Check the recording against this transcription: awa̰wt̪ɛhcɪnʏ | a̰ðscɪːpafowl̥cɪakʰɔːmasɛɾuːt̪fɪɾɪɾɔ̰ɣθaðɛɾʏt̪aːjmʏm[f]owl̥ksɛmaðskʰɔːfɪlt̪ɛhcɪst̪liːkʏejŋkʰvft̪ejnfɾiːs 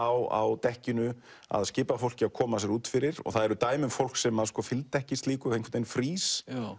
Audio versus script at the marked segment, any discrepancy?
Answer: no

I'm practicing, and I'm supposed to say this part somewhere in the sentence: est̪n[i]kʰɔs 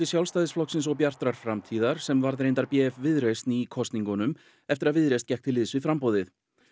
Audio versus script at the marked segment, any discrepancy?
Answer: no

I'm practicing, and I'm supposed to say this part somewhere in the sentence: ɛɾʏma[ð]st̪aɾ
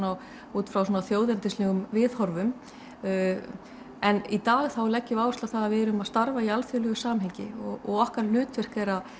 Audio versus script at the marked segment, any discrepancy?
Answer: no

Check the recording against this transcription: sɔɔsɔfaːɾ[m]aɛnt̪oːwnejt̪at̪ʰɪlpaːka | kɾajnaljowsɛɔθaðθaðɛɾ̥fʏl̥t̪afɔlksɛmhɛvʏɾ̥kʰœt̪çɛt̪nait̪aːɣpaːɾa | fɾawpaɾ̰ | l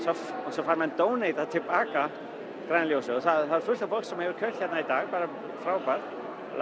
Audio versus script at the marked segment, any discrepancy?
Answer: no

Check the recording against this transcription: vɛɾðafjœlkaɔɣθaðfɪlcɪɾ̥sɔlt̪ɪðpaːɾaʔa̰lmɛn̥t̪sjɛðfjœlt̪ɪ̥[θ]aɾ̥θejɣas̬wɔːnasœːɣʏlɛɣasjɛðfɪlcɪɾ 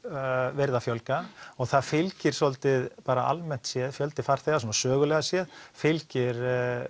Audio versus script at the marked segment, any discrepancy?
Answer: yes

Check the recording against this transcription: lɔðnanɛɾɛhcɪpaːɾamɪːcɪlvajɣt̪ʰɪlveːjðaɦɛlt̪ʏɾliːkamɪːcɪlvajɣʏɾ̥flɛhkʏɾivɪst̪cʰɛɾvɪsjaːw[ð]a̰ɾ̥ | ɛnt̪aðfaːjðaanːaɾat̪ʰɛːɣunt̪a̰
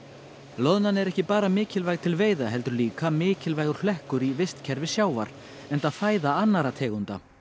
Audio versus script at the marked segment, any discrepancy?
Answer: yes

